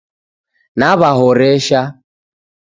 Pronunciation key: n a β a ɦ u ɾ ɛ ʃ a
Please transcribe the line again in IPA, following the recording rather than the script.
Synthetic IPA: n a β a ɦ ɔ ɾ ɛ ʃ a